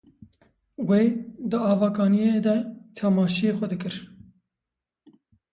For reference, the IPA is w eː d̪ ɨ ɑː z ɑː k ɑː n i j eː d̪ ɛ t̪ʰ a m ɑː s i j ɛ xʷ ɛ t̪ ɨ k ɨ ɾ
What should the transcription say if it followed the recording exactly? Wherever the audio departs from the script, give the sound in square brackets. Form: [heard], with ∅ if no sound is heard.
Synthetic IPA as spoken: w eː d̪ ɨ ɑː [v] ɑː k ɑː n i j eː d̪ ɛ t̪ʰ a m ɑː [ʃ] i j [e] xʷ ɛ [d̪] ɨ k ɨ ɾ